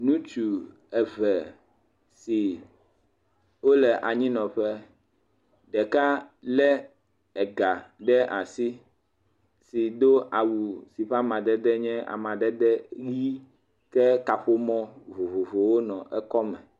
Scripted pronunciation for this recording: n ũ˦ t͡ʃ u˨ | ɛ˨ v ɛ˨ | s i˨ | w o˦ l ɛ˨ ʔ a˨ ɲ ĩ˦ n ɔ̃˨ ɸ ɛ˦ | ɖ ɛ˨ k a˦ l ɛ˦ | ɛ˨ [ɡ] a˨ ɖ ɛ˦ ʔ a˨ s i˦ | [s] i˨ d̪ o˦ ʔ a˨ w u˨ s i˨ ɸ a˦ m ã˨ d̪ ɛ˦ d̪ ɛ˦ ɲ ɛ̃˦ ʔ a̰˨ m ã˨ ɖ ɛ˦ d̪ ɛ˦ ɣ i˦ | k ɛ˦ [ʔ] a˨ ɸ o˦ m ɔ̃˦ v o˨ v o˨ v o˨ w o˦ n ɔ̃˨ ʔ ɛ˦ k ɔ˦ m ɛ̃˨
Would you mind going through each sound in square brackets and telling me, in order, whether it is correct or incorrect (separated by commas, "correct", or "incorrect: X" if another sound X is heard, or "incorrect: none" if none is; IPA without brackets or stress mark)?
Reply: correct, correct, incorrect: k